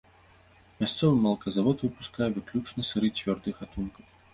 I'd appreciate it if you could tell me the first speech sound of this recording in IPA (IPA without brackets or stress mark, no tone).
mʲ